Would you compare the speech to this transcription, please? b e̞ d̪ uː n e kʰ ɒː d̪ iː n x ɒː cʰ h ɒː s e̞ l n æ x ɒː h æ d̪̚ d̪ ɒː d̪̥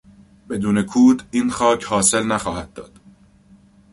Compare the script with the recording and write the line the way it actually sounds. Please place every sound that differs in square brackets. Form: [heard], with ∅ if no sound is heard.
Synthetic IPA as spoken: b e̞ d̪ uː n e kʰ [uː] d̪ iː n x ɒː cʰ h ɒː s e̞ l n æ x ɒː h æ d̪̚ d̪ ɒː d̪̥

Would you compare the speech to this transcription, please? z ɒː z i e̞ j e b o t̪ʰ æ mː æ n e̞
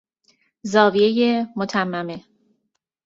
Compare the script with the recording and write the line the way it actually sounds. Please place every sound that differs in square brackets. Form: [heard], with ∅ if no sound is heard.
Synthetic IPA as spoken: z ɒː [v] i e̞ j e [m] o t̪ʰ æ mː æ [m] e̞

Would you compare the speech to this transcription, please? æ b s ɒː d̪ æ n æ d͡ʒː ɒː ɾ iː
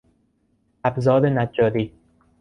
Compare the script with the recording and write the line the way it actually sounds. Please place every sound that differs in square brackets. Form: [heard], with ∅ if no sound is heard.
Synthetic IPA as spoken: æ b [z] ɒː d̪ [e] n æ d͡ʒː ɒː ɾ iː

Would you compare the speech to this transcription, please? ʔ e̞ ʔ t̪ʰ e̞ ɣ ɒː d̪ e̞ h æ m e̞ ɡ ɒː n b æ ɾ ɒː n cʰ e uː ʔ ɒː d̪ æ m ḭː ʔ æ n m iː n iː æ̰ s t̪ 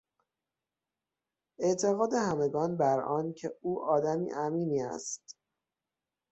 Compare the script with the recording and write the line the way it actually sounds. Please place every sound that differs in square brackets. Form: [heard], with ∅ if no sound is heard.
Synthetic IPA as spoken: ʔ e̞ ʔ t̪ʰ e̞ ɣ ɒː d̪ e̞ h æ m e̞ ɡ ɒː n b æ ɾ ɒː n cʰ e uː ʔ ɒː d̪ æ m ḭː ʔ æ [∅] m iː n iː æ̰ s t̪

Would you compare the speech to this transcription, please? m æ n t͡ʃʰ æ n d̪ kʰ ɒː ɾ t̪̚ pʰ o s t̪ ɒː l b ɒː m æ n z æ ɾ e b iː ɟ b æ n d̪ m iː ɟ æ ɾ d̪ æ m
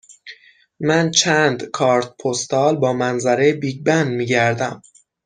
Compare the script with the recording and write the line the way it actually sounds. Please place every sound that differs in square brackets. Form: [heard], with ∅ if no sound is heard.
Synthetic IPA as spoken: m æ n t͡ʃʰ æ n d̪ kʰ ɒː ɾ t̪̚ pʰ o s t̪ ɒː l b ɒː m æ n z æ ɾ e b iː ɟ b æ n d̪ m iː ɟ æ ɾ d̪ æ m

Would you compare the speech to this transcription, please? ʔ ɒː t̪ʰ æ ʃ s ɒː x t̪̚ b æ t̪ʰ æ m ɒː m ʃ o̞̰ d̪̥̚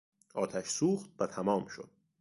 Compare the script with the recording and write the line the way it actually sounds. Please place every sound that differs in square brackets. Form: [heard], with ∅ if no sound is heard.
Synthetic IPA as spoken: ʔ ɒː t̪ʰ æ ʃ s [uː] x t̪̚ [v] æ t̪ʰ æ m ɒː m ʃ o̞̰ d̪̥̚

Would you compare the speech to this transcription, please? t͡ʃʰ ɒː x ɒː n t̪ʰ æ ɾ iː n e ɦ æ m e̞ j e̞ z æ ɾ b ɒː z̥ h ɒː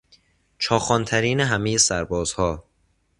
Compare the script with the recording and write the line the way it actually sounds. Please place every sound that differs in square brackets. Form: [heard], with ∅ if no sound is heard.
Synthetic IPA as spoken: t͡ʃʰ ɒː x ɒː n t̪ʰ æ ɾ iː n e ɦ æ m e̞ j e̞ [s] æ ɾ b ɒː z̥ h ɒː

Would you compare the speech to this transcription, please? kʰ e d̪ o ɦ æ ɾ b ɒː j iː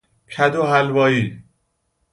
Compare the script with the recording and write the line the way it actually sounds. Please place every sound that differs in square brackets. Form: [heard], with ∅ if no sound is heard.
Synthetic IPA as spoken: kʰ [æ] d̪ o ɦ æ [l] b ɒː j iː

